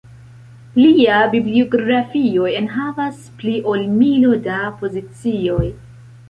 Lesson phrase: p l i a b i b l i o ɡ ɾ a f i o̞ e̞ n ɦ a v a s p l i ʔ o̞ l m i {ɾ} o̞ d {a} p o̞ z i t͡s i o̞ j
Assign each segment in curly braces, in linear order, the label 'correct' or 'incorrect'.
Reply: incorrect, correct

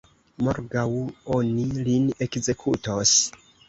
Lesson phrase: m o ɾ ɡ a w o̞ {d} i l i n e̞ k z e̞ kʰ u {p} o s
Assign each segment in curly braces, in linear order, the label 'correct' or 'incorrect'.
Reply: incorrect, incorrect

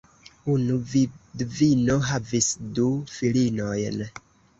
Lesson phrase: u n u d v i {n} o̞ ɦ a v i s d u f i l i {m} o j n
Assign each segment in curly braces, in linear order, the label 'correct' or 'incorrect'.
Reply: correct, incorrect

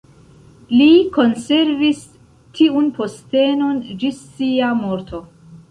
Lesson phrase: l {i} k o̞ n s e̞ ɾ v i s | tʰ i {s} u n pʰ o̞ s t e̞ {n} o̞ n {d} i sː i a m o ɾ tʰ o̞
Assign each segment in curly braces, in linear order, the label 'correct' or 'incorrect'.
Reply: correct, incorrect, correct, incorrect

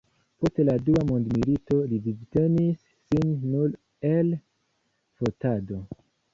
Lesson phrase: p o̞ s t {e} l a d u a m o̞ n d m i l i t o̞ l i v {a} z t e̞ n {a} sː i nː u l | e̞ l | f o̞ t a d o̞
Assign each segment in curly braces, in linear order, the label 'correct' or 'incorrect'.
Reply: correct, incorrect, incorrect

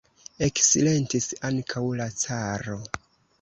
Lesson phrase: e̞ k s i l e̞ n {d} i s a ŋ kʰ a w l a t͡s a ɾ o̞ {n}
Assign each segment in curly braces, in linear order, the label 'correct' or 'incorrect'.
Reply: incorrect, incorrect

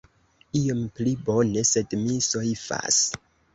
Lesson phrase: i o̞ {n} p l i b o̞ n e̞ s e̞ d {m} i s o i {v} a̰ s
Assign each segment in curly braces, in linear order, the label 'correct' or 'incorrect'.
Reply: incorrect, correct, incorrect

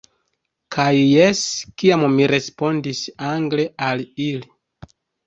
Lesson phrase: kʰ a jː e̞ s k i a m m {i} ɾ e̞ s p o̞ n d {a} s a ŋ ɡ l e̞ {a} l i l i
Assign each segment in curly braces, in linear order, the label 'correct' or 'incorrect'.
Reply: correct, incorrect, correct

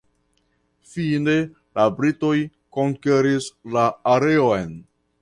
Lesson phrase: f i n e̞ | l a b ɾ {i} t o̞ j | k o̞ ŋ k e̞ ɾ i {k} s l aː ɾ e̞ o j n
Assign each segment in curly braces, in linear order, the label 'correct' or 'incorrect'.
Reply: correct, incorrect

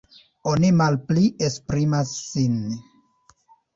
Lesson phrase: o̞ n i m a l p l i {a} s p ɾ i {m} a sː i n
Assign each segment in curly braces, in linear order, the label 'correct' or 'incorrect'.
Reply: incorrect, correct

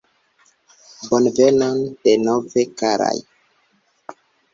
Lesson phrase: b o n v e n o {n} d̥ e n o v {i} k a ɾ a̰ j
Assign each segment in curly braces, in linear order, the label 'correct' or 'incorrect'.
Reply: correct, incorrect

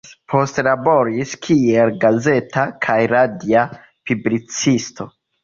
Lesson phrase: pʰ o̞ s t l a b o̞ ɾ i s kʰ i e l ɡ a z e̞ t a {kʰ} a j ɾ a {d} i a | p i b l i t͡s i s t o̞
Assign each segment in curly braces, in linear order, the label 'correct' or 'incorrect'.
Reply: correct, correct

